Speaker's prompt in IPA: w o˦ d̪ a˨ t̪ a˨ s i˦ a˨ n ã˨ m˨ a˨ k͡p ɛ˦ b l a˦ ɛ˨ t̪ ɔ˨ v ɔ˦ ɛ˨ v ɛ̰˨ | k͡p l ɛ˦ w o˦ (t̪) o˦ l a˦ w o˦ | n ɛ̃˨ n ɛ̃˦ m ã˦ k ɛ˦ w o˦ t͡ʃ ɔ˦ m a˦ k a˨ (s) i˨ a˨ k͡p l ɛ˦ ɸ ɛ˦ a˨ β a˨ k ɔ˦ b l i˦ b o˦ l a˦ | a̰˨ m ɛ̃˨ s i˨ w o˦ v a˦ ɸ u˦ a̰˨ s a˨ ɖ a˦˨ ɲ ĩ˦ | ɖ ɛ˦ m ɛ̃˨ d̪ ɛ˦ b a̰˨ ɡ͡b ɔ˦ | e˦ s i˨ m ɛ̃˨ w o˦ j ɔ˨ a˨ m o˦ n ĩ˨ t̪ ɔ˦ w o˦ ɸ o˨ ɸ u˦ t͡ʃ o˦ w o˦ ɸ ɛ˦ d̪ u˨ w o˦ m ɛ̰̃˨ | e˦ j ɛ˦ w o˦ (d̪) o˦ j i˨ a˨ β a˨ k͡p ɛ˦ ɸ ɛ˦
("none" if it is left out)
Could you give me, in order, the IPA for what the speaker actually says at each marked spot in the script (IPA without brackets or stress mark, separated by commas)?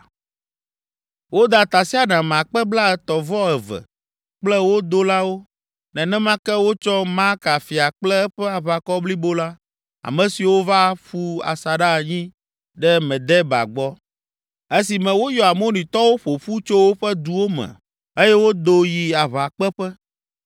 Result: d̪, f, d̪